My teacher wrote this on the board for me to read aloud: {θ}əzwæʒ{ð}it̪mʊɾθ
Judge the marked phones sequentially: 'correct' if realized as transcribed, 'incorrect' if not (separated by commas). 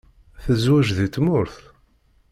correct, correct